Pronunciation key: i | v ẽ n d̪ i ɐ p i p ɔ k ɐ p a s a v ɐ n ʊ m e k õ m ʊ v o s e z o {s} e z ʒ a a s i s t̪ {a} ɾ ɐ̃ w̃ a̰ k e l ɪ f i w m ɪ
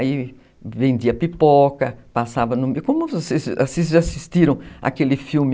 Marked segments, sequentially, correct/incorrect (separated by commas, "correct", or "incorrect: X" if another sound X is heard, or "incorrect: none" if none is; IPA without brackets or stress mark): correct, incorrect: i